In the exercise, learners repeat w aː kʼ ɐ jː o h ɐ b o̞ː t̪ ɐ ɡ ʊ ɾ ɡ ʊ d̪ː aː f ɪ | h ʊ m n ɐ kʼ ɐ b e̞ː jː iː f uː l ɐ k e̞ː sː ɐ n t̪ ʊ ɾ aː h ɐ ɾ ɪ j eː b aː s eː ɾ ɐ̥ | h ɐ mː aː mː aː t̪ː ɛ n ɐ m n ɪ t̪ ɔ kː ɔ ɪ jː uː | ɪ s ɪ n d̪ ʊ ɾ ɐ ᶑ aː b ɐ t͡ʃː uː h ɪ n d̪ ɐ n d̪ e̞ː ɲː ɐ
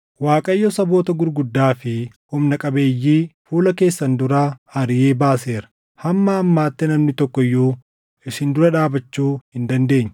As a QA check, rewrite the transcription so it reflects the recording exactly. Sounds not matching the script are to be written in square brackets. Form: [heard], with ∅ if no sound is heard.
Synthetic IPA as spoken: w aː kʼ ɐ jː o [s] ɐ b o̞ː t̪ ɐ ɡ ʊ ɾ ɡ ʊ d̪ː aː f ɪ | h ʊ m n ɐ kʼ ɐ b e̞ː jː iː f uː l ɐ k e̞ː sː ɐ n [d̪] ʊ ɾ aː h ɐ ɾ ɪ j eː b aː s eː ɾ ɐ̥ | h ɐ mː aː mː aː t̪ː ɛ n ɐ m n ɪ t̪ ɔ kː ɔ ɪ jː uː | ɪ s ɪ n d̪ ʊ ɾ ɐ ᶑ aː b ɐ t͡ʃː uː h ɪ n d̪ ɐ n d̪ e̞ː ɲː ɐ